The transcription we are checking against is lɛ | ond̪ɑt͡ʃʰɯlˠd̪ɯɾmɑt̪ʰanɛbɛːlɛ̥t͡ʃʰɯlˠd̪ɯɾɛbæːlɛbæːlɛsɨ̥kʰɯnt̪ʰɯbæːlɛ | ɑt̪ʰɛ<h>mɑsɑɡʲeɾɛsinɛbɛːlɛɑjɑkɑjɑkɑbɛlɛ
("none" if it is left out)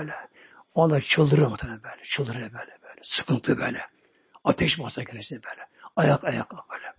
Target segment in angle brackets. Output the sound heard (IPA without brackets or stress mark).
ʃ